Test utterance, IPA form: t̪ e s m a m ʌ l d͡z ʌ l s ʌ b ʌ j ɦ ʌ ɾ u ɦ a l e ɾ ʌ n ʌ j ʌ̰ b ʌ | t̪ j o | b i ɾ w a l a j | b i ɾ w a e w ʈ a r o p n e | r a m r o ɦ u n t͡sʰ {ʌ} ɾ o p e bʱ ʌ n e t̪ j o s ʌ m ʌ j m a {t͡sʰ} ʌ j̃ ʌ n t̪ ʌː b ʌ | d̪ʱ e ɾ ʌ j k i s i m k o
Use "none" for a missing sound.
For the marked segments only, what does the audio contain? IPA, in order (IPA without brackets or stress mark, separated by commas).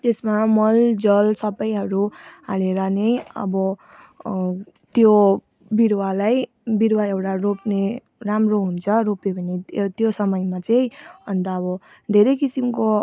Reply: ʌ, t͡s